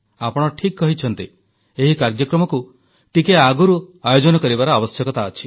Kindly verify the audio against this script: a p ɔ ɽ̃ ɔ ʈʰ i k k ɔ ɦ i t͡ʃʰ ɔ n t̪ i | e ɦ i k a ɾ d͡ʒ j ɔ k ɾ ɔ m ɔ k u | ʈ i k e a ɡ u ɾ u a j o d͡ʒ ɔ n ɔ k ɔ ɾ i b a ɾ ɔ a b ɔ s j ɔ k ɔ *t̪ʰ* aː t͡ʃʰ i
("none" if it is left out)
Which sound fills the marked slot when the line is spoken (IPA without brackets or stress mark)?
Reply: t̪